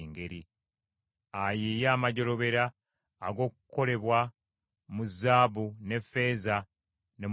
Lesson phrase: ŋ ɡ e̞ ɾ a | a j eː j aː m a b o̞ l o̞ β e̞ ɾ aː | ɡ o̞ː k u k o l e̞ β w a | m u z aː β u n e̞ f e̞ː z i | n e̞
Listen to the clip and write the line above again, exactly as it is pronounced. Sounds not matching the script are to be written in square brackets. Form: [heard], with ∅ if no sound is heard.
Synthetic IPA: ŋ ɡ e̞ ɾ [i] | a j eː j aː m a [ɟ] o̞ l o̞ β e̞ ɾ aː | ɡ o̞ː k u k o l e̞ β w a | m u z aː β u n e̞ f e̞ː z [a] | n e̞